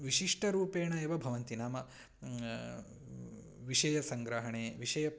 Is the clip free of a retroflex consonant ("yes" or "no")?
no